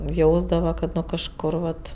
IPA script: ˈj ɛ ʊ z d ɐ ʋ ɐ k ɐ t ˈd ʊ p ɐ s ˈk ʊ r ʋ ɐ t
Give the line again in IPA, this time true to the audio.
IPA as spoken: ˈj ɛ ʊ z d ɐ ʋ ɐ k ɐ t ˈn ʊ k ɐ ʃ ˈk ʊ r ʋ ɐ t